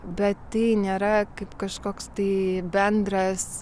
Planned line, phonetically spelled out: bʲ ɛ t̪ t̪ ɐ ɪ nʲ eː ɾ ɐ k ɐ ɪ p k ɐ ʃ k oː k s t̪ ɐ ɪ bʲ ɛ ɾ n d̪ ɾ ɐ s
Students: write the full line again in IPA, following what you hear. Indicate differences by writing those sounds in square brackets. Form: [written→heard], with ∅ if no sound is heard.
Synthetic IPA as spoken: bʲ ɛ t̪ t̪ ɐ ɪ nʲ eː ɾ ɐ k ɐ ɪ p k ɐ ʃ k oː k s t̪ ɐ ɪ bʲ ɛ [ɾ→∅] n d̪ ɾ ɐ s